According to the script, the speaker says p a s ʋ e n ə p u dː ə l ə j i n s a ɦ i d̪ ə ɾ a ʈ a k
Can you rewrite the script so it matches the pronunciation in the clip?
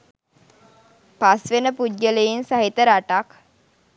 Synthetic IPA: p a s ʋ e n ə p u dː ə l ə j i n s a ɦ i t̪ ə ɾ a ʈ a k